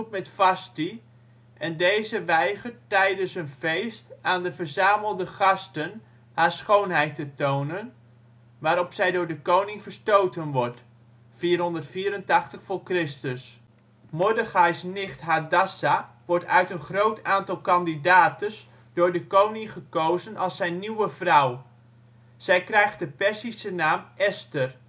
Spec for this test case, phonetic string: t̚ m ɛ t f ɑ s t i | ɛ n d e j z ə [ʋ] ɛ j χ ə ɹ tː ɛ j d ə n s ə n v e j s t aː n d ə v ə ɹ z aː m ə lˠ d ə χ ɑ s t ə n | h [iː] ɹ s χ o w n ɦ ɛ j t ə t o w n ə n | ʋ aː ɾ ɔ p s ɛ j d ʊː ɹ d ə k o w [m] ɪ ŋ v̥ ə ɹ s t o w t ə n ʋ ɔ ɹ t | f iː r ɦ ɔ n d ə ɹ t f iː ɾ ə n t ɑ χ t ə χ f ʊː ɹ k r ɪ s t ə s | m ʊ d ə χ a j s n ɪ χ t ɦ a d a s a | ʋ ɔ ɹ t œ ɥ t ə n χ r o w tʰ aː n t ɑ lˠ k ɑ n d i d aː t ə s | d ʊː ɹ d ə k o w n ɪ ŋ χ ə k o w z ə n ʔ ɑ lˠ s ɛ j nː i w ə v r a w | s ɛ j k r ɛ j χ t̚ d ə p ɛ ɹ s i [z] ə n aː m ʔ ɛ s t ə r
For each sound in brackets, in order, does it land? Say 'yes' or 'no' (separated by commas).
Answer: yes, no, no, no